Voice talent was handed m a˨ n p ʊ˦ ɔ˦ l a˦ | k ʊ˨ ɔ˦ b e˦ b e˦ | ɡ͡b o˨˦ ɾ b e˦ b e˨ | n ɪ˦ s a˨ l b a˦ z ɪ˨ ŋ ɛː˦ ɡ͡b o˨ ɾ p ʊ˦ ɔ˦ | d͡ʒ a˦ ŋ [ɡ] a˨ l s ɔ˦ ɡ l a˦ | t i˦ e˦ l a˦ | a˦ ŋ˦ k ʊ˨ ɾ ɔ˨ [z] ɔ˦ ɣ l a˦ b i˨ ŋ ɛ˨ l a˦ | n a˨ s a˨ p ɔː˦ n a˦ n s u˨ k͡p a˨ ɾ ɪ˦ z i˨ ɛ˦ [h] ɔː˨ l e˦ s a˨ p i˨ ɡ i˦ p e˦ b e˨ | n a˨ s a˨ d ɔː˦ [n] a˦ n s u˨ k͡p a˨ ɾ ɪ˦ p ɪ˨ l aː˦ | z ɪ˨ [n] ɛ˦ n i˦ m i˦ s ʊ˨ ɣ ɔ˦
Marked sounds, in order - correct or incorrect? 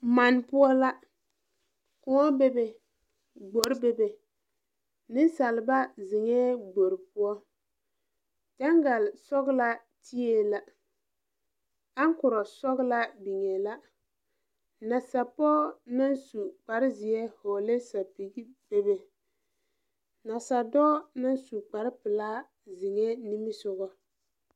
correct, incorrect, correct, correct, incorrect

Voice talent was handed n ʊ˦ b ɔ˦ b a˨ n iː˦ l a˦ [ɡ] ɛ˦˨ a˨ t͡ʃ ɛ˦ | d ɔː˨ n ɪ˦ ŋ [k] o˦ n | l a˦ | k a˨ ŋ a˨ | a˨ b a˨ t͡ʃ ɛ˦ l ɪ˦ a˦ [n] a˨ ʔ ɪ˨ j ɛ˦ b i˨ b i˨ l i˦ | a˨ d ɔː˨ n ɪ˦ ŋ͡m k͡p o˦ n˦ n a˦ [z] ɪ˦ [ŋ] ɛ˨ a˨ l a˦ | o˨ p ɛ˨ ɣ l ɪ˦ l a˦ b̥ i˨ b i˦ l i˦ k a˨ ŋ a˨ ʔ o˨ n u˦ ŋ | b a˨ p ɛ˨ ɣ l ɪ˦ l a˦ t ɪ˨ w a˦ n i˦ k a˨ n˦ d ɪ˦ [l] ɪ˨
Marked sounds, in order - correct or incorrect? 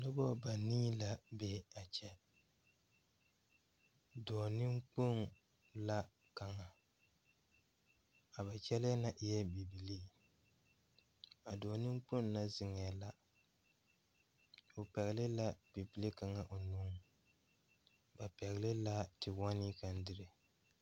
incorrect, incorrect, correct, correct, correct, incorrect

